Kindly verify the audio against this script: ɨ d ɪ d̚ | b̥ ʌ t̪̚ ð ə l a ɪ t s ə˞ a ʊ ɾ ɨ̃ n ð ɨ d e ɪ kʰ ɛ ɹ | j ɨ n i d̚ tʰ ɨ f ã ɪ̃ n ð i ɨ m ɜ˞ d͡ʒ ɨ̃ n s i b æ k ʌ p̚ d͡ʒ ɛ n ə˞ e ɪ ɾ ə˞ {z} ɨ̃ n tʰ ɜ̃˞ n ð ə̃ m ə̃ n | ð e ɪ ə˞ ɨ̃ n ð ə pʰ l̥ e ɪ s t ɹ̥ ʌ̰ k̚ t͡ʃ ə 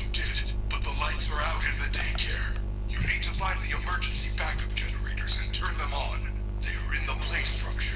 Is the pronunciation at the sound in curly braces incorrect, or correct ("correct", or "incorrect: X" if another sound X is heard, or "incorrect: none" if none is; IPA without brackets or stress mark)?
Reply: correct